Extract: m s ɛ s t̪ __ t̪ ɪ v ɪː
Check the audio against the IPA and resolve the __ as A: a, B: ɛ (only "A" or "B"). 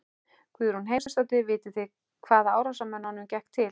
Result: A